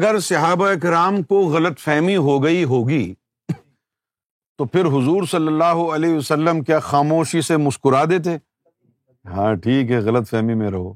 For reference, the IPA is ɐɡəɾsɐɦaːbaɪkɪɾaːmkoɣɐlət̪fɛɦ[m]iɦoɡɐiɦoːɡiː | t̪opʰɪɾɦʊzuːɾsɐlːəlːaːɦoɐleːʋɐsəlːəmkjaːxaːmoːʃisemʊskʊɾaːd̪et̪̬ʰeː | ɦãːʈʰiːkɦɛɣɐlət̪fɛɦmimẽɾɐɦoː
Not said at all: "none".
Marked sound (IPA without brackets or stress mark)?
m